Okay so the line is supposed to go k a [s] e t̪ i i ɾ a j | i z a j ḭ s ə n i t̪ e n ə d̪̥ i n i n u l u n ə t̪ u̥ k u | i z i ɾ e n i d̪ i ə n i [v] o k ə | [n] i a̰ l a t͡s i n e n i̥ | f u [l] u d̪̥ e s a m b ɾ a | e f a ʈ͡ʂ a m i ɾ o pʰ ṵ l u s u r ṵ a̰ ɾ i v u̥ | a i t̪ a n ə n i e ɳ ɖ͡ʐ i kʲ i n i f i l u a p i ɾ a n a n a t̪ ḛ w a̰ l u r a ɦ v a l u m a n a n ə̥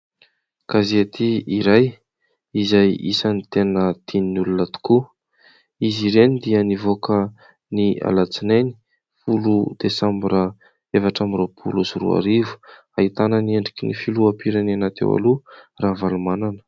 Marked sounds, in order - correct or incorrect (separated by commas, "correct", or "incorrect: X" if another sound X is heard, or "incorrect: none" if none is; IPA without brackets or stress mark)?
incorrect: z, correct, correct, correct